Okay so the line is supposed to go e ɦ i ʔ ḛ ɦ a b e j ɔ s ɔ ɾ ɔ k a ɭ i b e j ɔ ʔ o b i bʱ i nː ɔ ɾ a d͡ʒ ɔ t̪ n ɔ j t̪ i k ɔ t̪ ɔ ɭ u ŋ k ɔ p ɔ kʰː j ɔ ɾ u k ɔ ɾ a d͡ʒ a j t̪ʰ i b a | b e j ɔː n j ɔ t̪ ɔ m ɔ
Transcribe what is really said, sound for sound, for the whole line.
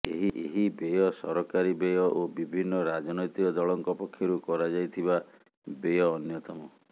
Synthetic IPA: e ɦ i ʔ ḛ ɦ i b e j ɔ s ɔ ɾ ɔ k a ɾ i b e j ɔ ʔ o b i bʱ i nː ɔ ɾ a d͡ʒ ɔ n ɔ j t̪ i k ɔ d̪ ɔ ɭ ɔ ŋ k ɔ p ɔ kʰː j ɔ ɾ u k ɔ ɾ a d͡ʒ a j t̪ʰ i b a | b e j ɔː n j ɔ t̪ ɔ m ɔ